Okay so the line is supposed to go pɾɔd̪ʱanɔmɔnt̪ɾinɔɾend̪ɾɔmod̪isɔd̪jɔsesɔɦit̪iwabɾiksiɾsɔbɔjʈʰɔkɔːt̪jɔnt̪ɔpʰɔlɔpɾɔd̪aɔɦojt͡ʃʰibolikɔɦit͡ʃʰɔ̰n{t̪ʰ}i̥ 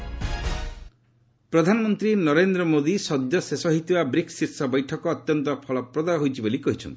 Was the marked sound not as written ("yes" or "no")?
yes